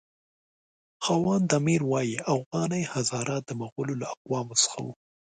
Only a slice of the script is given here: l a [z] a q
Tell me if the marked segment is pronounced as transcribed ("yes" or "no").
no